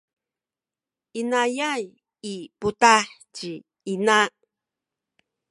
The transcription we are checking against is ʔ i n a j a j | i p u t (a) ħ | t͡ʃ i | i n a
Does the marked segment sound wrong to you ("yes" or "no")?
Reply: no